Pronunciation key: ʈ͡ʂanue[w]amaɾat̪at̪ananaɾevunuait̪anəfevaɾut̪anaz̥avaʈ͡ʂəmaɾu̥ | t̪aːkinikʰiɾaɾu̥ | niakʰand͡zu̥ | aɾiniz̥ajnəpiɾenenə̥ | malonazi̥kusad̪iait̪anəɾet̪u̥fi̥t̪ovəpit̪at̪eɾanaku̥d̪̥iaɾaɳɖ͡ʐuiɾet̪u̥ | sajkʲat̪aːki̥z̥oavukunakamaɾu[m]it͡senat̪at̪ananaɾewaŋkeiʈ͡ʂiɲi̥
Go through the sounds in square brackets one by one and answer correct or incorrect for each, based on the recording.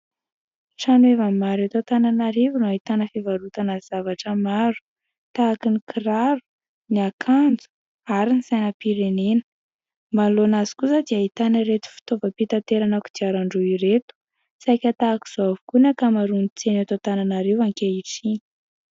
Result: incorrect: v, incorrect: n

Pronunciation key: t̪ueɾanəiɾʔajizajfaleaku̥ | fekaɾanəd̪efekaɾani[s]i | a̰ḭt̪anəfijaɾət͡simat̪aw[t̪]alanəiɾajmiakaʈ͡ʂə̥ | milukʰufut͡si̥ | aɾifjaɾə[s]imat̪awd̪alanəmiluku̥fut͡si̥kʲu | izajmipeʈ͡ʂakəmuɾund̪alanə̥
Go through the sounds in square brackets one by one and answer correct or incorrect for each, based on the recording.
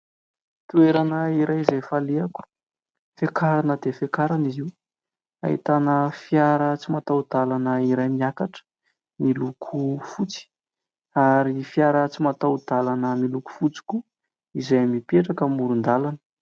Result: incorrect: z, incorrect: d̪, incorrect: t͡s

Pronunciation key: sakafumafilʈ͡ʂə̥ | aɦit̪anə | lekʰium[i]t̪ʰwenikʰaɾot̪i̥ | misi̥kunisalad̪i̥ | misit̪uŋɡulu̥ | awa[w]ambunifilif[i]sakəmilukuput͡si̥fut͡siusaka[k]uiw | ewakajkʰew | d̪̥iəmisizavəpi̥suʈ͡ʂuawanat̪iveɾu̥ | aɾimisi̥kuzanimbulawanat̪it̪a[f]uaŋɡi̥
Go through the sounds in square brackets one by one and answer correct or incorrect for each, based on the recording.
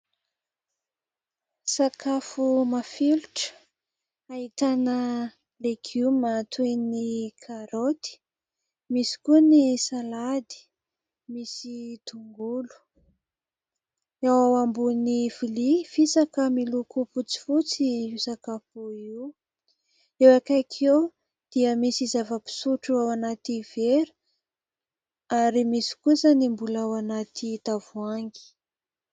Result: incorrect: a, correct, correct, incorrect: p, incorrect: v

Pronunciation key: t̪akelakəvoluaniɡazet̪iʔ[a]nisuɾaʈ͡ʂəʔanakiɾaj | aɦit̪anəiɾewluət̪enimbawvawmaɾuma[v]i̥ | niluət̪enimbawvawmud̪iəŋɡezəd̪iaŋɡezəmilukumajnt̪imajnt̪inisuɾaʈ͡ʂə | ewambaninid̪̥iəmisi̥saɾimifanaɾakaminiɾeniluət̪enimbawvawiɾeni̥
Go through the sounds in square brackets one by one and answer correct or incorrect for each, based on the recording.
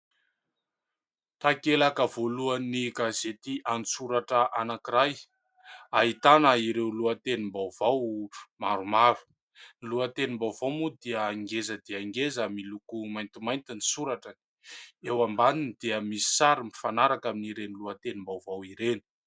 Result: correct, correct

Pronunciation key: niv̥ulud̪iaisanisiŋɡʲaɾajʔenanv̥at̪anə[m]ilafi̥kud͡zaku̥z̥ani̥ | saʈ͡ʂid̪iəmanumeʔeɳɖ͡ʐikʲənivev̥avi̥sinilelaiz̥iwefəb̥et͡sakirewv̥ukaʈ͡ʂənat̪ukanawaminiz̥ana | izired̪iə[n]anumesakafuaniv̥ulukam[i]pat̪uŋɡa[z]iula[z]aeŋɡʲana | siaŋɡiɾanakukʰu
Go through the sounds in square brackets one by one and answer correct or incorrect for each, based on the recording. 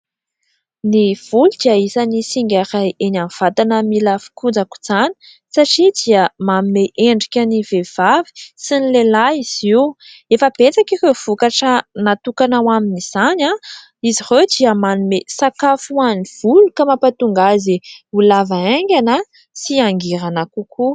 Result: correct, incorrect: m, incorrect: a, correct, incorrect: v

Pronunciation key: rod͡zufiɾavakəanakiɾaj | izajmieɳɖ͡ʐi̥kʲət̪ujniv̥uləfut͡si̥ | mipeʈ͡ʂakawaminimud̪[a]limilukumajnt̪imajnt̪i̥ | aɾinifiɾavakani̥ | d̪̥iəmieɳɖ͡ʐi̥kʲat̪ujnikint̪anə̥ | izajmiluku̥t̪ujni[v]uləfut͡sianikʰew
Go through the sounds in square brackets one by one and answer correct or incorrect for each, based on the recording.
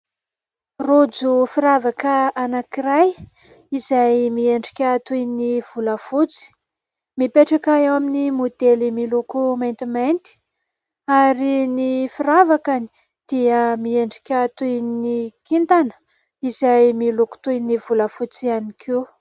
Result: incorrect: e, correct

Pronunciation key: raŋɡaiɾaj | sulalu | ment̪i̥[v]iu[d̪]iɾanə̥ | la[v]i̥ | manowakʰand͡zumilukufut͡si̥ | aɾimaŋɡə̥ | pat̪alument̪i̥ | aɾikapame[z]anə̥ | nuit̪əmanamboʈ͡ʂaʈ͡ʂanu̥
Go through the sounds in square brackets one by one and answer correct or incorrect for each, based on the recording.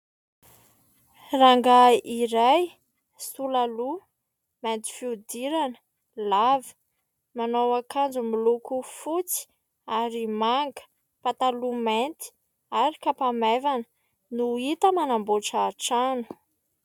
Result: incorrect: f, correct, correct, incorrect: v

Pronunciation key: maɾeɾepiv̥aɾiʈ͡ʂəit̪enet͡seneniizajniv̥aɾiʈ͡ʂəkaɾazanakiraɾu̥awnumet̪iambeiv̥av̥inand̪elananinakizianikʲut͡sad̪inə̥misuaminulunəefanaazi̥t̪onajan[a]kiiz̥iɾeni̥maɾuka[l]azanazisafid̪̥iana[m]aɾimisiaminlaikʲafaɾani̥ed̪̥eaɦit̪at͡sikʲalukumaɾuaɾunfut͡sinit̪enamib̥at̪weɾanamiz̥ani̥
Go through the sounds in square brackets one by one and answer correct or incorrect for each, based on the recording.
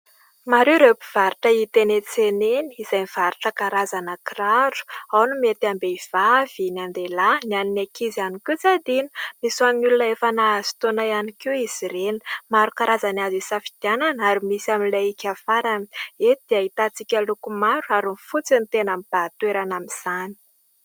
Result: incorrect: i, incorrect: ɾ, incorrect: n

